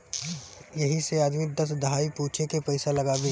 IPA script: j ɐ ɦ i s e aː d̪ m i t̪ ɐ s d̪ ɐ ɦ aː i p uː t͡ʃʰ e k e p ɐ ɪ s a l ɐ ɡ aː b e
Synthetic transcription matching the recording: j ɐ ɦ i s e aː d̪ m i d̪ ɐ s d̪ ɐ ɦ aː i p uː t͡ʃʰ e k e p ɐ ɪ s a l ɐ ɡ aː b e